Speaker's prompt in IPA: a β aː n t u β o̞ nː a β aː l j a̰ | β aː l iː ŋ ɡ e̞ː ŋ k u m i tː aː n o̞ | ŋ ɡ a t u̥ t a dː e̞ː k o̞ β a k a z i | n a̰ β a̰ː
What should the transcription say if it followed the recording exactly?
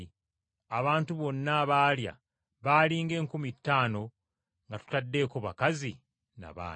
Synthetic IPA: a β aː n t u β o̞ nː a β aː l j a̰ | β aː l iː ŋ ɡ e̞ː ŋ k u m i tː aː n o̞ | ŋ ɡ a t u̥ t a dː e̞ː k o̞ β a k a z i | n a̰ β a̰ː